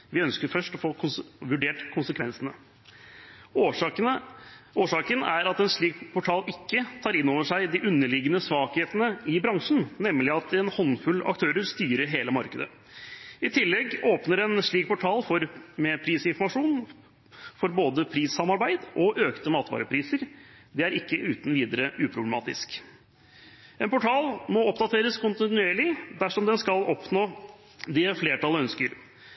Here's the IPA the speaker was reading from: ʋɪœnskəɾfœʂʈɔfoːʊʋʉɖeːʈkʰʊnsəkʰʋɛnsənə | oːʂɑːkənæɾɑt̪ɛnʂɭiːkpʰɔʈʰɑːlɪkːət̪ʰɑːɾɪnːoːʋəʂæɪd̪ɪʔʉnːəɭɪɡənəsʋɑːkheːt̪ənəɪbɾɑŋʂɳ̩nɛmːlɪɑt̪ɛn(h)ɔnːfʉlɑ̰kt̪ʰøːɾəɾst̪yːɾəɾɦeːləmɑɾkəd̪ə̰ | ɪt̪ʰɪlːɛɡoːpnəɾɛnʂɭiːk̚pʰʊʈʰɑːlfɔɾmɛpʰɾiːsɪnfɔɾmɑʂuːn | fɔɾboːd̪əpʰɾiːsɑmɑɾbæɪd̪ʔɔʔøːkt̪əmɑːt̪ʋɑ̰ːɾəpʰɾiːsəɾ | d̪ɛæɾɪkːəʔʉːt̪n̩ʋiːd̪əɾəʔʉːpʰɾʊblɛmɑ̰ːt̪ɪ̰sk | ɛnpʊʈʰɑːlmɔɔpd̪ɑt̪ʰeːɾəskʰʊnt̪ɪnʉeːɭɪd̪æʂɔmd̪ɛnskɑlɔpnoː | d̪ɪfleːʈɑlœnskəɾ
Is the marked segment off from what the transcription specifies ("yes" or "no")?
no